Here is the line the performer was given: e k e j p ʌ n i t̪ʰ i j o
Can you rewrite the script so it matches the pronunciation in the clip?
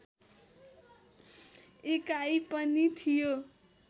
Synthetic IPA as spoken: e k a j p ʌ n i t̪ʰ i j o

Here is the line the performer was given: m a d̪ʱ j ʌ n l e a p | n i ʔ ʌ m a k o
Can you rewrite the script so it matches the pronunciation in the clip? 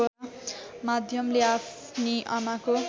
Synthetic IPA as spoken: m a d̪ʱ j ʌ m l e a p | n i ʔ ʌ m a k o

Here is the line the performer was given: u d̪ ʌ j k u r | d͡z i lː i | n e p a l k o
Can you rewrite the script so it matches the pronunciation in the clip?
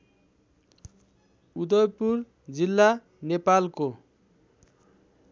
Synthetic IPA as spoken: u d̪ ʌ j p u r | d͡z i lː a | n e p a l k o

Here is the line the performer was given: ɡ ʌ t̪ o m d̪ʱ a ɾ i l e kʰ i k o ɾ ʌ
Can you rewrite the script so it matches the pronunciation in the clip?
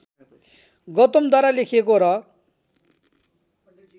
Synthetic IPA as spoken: ɡ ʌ t̪ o m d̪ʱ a ɾ a l e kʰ e k o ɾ ʌ

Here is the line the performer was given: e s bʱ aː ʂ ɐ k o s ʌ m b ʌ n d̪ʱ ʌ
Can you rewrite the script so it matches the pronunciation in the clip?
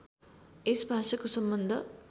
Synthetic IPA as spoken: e s bʱ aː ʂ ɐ k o s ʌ m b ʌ n d̪ʱ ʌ

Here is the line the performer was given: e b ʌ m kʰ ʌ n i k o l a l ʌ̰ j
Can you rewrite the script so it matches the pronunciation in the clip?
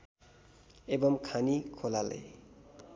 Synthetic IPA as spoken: e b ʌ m kʰ a n i kʰ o l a l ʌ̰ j

